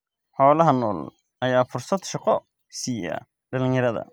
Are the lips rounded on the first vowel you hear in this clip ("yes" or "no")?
yes